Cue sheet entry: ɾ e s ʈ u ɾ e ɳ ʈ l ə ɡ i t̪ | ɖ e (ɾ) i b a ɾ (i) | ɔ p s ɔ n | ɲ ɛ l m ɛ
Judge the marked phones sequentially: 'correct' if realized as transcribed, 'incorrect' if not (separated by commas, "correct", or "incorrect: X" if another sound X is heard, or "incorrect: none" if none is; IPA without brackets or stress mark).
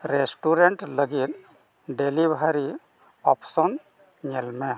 incorrect: l, correct